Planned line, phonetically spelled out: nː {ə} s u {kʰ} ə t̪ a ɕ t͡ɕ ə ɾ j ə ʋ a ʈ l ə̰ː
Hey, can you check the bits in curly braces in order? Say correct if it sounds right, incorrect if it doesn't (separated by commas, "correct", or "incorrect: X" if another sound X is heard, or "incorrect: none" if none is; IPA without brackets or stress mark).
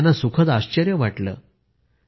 incorrect: a, correct